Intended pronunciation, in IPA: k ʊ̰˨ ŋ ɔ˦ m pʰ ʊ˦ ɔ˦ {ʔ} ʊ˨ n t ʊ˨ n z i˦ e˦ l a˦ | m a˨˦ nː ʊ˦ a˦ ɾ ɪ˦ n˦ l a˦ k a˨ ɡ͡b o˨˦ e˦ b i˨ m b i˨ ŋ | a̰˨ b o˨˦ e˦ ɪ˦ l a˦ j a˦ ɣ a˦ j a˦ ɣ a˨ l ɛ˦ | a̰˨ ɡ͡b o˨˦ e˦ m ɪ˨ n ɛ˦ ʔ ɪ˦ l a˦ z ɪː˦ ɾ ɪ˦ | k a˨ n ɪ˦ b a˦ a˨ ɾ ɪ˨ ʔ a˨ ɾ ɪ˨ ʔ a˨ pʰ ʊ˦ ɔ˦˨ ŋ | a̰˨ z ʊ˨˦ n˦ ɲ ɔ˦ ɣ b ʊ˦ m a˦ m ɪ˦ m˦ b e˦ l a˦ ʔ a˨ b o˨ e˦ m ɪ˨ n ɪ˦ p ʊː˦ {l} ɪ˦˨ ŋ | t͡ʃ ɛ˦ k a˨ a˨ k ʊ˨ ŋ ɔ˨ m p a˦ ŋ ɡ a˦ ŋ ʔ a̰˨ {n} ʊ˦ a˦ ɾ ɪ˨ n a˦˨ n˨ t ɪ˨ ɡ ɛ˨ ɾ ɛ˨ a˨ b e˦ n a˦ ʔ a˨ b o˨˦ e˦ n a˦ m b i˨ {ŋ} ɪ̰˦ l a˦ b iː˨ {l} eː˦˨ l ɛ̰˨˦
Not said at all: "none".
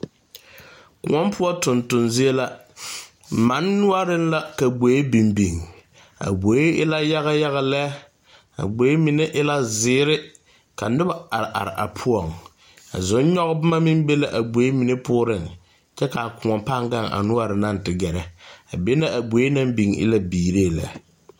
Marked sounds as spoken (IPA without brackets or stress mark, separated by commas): t, ɾ, n, ŋ, ɾ